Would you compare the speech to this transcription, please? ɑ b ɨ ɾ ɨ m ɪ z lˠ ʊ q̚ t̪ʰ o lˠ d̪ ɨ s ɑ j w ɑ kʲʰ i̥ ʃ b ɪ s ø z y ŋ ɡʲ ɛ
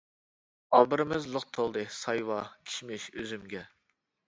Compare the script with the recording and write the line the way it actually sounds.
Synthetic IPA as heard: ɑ b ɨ ɾ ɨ m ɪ z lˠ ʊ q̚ t̪ʰ o lˠ d̪ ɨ s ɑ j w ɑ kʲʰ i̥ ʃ m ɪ ʃ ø z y m ɡʲ ɛ